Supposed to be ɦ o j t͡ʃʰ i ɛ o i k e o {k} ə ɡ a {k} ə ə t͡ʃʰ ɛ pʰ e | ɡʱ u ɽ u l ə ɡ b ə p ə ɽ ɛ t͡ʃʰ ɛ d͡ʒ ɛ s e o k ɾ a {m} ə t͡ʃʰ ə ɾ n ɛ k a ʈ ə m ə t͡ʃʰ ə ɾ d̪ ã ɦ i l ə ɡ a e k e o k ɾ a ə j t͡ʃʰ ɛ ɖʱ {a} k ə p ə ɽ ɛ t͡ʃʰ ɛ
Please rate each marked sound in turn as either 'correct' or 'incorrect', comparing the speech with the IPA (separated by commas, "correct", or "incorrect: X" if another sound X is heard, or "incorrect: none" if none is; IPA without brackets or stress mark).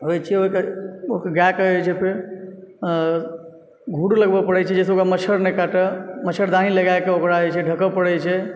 correct, correct, correct, incorrect: ə